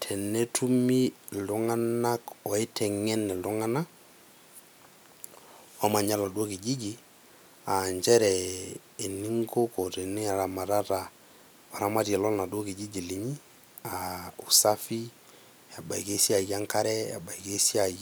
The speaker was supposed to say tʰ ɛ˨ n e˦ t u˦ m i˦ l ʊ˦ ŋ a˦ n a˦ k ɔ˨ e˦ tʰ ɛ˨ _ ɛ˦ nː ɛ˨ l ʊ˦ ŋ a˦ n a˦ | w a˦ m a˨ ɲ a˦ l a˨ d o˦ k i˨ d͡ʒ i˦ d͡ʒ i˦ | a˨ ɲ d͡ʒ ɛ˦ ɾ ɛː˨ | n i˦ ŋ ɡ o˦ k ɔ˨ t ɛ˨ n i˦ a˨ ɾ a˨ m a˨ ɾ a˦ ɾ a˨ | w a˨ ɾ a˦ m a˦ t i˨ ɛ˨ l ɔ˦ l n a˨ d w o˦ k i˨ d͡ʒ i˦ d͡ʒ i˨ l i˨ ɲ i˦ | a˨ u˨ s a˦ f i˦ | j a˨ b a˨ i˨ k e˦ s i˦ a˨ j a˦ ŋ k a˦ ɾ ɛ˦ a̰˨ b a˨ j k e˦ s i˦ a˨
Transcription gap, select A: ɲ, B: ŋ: B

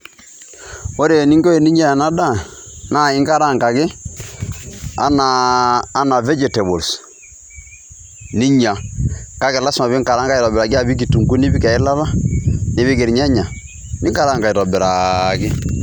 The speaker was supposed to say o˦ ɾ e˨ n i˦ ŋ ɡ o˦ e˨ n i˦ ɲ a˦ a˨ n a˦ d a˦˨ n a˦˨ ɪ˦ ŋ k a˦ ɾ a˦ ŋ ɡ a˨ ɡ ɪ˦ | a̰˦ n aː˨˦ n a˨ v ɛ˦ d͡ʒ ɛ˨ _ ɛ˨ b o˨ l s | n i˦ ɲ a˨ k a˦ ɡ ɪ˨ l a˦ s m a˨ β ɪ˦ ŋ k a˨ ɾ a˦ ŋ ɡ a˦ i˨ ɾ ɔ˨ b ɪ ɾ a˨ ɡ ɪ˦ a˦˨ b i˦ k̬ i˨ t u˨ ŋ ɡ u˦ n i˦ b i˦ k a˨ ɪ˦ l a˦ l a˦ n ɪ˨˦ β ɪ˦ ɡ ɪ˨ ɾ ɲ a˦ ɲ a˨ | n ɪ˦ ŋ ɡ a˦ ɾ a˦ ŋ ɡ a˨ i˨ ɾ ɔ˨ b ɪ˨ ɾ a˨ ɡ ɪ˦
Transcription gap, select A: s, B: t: B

